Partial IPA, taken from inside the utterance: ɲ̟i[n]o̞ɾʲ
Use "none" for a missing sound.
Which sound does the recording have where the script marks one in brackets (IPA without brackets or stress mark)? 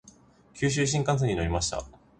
n